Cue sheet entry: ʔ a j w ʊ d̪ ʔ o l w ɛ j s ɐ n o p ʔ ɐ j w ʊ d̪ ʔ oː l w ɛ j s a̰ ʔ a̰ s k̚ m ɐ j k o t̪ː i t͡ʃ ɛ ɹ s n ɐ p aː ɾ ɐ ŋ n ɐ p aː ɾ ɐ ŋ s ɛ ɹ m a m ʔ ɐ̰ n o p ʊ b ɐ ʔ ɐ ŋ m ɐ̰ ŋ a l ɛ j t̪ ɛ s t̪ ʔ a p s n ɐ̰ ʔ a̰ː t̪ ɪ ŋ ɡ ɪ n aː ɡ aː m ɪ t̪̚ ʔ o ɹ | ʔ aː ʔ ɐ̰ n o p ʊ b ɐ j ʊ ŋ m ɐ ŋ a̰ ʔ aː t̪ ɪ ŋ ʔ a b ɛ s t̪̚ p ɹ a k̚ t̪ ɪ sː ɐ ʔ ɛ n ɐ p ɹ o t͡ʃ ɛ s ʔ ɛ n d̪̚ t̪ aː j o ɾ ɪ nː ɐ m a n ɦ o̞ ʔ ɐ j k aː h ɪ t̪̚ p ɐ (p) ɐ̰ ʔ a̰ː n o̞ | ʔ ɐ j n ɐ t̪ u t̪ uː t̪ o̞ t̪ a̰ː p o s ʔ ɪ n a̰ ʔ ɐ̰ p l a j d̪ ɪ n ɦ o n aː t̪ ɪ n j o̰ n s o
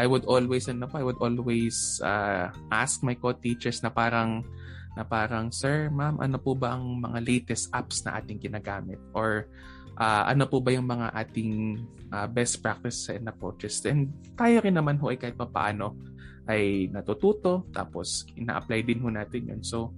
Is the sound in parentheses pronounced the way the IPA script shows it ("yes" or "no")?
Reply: yes